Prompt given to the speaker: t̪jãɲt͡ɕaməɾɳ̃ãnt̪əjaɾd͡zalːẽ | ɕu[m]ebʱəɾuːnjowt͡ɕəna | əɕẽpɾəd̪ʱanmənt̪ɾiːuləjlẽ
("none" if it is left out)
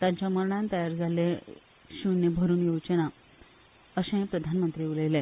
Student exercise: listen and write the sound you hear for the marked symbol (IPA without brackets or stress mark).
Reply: n